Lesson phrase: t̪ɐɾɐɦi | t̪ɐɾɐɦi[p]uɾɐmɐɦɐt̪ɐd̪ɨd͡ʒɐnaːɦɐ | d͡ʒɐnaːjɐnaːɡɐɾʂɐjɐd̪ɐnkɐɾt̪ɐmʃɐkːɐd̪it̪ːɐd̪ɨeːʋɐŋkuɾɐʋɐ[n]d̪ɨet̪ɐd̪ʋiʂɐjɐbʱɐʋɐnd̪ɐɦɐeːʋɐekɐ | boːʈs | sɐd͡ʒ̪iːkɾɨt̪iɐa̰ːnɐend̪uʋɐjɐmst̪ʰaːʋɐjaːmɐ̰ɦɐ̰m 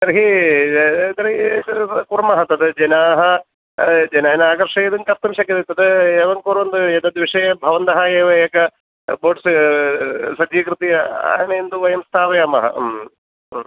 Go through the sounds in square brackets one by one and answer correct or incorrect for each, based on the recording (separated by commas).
incorrect, correct